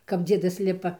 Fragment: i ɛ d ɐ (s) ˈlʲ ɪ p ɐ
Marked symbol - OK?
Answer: yes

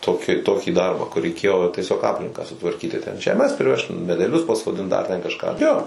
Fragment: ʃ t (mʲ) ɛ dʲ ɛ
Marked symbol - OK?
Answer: yes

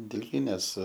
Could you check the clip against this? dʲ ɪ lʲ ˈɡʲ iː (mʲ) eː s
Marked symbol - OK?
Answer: no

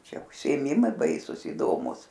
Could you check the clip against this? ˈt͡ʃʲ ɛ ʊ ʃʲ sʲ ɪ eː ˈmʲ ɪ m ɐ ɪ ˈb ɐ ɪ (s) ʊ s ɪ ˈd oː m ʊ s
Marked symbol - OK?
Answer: yes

